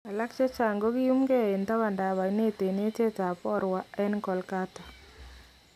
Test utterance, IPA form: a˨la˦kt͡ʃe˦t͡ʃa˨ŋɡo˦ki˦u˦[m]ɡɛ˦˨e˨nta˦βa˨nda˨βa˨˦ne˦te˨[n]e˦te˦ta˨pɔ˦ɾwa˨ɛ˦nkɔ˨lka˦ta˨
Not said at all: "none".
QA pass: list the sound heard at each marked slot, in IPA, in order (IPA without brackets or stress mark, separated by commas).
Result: m, n